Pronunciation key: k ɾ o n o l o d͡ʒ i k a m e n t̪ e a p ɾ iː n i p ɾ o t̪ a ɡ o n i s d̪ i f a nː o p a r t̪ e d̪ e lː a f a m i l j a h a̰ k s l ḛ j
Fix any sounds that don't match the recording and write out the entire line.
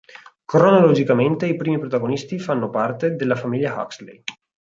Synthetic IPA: k ɾ o n o l o d͡ʒ i k a m e n t̪ e i p ɾ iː m i p ɾ o t̪ a ɡ o n i s t̪ i f a nː o p a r t̪ e d̪ e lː a f a m i l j a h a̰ k s l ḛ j